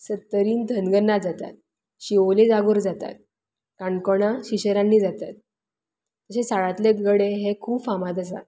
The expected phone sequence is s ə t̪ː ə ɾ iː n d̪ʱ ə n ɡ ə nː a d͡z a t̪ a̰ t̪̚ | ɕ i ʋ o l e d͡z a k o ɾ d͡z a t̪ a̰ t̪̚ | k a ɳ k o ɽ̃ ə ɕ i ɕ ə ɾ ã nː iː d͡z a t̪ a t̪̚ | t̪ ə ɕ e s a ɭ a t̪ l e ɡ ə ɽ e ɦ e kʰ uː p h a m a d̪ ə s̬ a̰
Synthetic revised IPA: s ə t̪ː ə ɾ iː n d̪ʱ ə n ɡ ə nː a d͡z a t̪ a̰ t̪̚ | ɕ i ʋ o l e d͡z a ɡ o ɾ d͡z a t̪ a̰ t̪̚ | k a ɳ k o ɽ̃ a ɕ i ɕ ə ɾ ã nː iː d͡z a t̪ a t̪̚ | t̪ ə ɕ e s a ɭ a t̪ l e ɡ ə ɽ e ɦ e kʰ uː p f a m a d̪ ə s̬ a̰